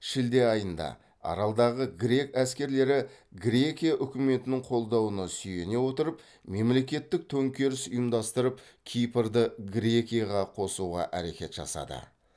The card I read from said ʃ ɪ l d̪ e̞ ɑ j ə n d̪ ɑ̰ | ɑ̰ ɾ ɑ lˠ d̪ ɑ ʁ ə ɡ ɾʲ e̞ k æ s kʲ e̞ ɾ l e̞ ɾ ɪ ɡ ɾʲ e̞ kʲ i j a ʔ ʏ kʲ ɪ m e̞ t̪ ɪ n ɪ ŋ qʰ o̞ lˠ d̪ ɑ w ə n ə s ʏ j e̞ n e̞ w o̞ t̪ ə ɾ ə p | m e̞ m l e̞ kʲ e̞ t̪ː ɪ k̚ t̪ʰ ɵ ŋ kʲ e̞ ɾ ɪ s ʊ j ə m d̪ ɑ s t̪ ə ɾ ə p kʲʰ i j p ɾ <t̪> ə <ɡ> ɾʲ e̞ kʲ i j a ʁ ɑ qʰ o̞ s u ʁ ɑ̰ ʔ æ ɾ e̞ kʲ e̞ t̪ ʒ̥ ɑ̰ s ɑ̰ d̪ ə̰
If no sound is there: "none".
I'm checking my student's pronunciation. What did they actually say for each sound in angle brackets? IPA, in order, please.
d̪, ɡ

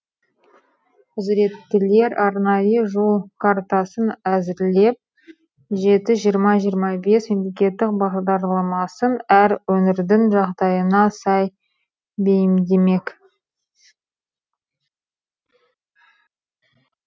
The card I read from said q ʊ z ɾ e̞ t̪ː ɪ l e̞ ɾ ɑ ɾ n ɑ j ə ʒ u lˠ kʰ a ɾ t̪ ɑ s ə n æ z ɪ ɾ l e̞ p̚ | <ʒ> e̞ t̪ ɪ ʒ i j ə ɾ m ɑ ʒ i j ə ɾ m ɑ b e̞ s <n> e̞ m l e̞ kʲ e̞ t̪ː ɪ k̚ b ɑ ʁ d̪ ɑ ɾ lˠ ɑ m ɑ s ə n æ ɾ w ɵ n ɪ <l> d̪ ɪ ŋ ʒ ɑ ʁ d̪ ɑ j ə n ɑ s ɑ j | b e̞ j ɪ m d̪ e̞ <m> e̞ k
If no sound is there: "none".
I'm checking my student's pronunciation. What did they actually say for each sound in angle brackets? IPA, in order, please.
ʒ, m, ɾ, m

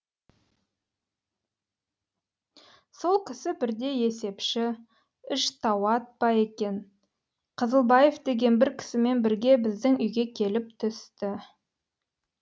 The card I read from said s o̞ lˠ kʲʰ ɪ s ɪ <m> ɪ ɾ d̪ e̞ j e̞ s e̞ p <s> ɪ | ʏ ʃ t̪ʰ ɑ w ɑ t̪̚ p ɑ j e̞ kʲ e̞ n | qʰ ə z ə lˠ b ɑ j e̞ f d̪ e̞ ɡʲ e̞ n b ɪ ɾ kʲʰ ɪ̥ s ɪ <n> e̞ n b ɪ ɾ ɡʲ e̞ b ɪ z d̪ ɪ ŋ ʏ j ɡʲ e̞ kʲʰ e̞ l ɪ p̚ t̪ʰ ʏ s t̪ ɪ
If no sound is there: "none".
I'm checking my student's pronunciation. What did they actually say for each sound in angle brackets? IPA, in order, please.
b, ʃ, m

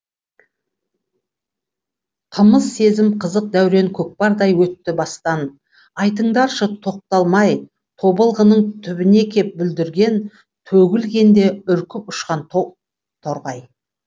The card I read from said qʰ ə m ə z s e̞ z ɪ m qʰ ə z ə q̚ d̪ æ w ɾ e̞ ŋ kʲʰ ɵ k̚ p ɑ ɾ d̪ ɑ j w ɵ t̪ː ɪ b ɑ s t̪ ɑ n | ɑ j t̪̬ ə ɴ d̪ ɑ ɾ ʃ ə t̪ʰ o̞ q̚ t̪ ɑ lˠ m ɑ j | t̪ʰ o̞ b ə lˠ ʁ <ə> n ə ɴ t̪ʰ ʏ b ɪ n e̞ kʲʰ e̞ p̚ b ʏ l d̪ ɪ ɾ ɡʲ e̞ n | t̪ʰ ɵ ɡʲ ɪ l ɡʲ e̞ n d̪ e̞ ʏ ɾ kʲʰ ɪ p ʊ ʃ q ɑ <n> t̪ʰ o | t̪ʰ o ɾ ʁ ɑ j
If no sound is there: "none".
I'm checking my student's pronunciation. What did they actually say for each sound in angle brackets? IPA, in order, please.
ə, n

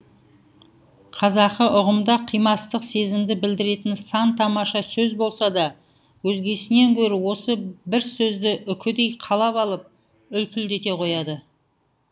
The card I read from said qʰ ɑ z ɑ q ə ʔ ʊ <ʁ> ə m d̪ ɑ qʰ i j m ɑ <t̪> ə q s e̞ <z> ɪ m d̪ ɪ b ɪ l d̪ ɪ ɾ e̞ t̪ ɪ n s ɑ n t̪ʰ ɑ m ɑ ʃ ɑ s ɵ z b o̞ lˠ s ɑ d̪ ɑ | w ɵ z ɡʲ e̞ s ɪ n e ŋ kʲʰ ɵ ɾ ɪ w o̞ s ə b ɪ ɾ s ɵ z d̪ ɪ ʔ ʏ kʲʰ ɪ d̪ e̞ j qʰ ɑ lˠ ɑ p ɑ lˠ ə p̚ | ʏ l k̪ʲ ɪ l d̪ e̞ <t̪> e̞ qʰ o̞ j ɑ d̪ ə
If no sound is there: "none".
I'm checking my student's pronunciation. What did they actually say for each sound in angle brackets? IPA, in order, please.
ʁ, t̪, z, t̪

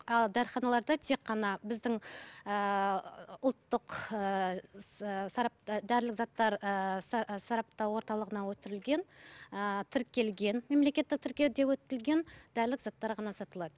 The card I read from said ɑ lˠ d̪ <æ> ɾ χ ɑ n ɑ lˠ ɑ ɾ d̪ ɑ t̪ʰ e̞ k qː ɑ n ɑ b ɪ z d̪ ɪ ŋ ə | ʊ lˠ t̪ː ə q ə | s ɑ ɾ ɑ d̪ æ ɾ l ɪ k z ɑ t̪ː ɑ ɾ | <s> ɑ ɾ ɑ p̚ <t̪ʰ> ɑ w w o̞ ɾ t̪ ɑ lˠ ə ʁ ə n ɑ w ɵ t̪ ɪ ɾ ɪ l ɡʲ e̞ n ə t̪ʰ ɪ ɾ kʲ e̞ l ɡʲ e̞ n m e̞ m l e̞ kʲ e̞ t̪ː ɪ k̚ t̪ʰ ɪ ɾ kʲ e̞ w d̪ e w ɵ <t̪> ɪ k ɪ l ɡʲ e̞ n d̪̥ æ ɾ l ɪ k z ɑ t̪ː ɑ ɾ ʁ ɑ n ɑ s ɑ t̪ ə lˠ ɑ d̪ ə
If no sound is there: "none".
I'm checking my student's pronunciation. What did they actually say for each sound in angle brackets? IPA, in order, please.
æ, s, t̪, t̪

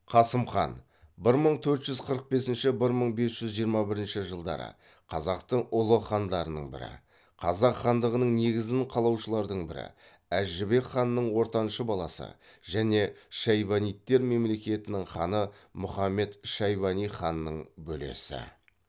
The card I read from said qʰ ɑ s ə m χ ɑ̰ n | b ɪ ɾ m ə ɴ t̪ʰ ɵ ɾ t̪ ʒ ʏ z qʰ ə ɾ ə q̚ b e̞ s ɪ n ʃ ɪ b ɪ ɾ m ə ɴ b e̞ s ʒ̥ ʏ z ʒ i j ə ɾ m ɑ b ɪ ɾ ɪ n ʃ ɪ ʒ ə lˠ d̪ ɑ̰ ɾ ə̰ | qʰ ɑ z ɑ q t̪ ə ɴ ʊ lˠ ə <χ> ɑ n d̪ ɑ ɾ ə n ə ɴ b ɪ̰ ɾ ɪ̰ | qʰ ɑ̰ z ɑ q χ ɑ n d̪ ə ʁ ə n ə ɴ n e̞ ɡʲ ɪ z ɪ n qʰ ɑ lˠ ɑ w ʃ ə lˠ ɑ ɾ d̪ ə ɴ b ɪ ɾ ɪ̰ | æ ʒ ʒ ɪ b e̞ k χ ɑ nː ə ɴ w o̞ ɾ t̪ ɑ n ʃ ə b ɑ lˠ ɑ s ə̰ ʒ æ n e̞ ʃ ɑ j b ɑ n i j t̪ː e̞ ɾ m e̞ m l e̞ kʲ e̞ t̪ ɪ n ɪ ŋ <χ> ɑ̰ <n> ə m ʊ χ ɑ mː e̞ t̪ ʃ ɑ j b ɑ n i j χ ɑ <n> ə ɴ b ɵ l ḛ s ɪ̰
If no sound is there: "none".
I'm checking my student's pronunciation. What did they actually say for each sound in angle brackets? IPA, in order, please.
χ, χ, n, nː

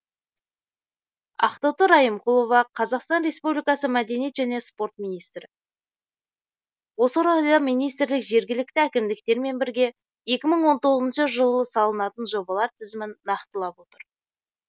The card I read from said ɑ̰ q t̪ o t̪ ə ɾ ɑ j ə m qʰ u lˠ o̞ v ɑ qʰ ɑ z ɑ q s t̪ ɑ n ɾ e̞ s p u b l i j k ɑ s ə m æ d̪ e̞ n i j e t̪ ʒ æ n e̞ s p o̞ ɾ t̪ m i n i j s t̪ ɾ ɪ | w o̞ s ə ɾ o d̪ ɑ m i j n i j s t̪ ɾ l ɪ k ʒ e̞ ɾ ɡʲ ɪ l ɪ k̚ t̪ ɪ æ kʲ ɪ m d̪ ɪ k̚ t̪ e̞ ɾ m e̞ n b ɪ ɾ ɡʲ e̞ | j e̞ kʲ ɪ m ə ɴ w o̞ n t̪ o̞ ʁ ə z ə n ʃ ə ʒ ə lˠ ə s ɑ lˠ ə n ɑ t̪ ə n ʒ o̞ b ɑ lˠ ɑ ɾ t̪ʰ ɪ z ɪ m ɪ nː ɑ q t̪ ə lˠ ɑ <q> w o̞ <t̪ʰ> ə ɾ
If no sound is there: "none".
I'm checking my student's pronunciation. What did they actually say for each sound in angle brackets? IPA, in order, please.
p, t̪

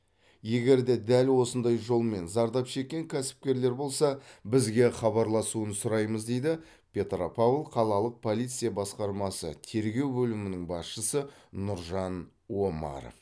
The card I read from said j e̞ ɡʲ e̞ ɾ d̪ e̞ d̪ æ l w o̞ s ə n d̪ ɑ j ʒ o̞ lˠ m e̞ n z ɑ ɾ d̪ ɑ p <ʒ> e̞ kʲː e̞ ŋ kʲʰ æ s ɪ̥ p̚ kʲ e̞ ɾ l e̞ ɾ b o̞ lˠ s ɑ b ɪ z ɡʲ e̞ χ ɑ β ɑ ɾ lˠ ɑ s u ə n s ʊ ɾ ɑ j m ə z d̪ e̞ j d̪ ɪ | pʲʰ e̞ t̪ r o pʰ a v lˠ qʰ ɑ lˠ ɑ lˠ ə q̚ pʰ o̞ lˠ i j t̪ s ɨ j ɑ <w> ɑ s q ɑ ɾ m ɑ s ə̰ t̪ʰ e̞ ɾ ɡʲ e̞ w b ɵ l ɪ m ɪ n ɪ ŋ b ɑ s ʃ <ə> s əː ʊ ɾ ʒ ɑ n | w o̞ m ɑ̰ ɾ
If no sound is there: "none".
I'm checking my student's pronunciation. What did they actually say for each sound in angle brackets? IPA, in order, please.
ʃ, b, ə

